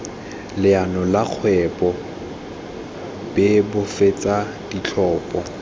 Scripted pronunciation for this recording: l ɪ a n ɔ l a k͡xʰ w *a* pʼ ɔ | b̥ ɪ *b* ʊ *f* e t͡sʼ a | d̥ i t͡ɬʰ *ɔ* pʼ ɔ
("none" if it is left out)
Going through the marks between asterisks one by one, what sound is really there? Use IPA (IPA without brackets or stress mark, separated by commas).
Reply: ɛ, b, f, ɔː